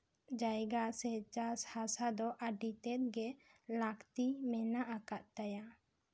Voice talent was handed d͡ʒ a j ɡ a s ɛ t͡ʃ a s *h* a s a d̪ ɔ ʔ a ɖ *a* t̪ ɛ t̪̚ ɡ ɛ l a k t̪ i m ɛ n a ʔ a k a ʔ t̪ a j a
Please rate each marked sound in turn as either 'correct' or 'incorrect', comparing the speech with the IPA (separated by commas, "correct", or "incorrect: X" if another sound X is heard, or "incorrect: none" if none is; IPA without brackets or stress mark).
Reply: correct, incorrect: i